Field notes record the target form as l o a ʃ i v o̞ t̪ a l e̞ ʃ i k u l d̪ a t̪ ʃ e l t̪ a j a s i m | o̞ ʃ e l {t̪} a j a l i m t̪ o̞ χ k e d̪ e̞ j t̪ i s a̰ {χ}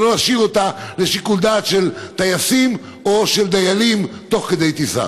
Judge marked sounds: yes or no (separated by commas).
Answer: no, no